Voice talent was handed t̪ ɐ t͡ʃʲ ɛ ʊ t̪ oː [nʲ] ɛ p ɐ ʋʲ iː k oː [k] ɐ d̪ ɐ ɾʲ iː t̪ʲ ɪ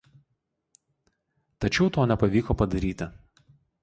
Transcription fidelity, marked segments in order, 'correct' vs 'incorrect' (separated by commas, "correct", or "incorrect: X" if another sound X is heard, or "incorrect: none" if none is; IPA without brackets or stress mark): correct, incorrect: p